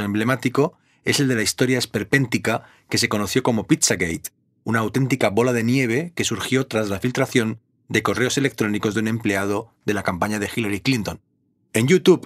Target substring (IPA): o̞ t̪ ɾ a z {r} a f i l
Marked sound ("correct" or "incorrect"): incorrect